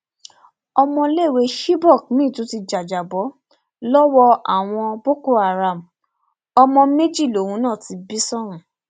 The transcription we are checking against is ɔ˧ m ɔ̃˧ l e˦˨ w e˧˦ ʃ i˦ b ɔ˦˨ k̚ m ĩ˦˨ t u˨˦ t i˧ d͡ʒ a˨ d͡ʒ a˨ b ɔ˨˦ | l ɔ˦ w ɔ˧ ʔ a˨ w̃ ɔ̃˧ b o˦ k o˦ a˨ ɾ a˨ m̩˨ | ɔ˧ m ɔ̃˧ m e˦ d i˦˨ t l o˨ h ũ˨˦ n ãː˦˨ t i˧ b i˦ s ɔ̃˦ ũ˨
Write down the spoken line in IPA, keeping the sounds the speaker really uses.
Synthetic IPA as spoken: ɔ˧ m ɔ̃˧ l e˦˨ w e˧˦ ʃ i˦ b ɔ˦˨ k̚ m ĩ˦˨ t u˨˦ t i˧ d͡ʒ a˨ d͡ʒ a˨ b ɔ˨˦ | l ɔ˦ w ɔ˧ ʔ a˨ w̃ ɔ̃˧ b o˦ k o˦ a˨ ɾ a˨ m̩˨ | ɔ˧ m ɔ̃˧ m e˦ d͡ʒ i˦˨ l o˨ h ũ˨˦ n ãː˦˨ t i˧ b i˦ s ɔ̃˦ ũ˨